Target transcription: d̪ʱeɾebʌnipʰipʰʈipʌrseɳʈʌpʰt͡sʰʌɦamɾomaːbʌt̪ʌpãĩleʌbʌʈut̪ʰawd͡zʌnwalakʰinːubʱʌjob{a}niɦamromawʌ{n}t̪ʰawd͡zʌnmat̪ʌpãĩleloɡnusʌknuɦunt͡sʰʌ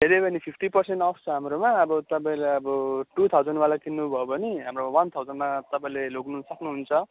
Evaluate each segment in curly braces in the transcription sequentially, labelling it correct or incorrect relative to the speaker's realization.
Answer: incorrect, correct

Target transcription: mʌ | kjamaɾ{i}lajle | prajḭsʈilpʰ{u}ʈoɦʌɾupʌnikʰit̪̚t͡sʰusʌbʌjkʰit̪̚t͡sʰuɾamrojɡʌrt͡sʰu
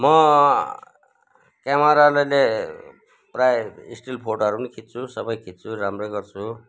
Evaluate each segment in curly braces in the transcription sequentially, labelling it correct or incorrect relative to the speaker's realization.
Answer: incorrect, incorrect

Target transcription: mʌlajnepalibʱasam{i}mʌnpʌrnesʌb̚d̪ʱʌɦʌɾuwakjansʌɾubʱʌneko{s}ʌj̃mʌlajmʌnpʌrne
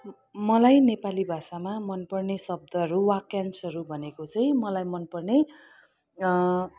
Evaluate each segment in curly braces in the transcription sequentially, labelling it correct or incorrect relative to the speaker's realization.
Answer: incorrect, incorrect

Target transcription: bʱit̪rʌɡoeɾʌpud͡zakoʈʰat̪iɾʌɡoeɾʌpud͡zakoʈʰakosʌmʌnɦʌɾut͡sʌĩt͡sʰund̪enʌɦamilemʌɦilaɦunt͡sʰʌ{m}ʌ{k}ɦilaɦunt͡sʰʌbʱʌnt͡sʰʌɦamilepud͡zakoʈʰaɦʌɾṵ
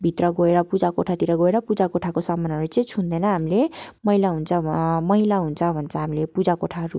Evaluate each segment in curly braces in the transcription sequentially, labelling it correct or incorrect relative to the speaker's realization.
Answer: correct, incorrect

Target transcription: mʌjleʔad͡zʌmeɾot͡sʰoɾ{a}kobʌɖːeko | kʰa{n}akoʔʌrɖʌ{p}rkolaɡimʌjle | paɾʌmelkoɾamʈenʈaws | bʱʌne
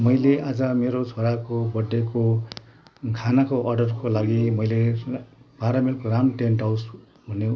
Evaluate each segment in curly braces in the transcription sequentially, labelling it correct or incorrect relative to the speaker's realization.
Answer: correct, correct, incorrect

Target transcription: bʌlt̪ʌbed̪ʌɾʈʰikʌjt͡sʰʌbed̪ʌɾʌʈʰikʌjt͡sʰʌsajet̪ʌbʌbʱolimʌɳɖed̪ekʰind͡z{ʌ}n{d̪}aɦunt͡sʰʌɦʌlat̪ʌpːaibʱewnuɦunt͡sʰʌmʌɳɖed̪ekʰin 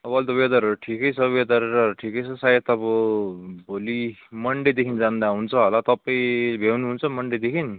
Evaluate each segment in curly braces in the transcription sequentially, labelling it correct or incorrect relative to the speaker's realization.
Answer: incorrect, correct

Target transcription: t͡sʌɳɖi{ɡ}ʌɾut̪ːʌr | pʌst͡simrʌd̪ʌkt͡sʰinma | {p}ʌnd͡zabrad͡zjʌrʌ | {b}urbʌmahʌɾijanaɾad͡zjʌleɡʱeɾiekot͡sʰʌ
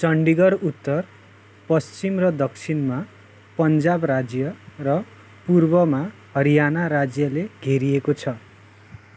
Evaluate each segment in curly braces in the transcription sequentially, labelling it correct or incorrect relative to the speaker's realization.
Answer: correct, correct, incorrect

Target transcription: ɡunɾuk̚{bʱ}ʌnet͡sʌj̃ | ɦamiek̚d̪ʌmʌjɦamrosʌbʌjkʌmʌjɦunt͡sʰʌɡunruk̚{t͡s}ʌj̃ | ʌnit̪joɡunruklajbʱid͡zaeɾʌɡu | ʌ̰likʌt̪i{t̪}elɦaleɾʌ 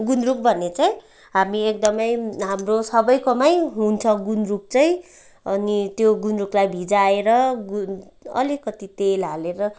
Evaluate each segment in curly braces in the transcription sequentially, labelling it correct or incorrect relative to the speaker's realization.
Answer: correct, correct, correct

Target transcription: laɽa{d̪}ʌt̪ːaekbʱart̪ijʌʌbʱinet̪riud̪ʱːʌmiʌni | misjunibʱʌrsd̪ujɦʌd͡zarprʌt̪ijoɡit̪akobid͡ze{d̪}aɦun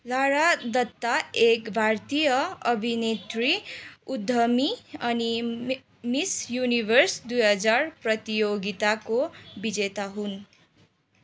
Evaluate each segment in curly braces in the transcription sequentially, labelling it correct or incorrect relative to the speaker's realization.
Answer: correct, incorrect

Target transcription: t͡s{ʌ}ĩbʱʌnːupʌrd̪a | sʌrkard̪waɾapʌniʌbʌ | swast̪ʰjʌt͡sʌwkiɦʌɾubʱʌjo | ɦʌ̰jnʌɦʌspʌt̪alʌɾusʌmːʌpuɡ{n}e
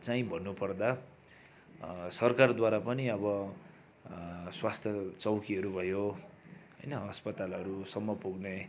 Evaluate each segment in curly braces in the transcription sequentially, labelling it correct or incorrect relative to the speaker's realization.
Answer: incorrect, correct

